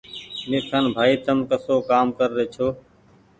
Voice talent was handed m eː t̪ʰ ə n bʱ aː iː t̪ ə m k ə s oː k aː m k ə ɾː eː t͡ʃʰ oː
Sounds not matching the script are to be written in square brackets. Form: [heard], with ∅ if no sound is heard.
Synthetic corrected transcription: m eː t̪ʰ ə n bʱ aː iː t̪ ə m k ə s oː k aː m k ə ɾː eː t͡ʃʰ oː